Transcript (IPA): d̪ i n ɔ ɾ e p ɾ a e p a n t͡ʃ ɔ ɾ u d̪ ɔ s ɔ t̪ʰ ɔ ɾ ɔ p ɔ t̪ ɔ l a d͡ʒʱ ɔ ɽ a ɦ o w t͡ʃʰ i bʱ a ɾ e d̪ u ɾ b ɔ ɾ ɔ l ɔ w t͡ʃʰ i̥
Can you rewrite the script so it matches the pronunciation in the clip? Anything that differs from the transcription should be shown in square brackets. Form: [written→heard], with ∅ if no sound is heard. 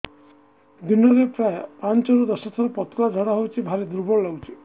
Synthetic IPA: d̪ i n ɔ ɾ e p ɾ a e p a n t͡ʃ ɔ ɾ u d̪ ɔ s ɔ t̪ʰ ɔ ɾ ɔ p ɔ t̪ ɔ l a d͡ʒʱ ɔ ɽ a ɦ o w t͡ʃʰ i bʱ a ɾ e d̪ u ɾ b ɔ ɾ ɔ l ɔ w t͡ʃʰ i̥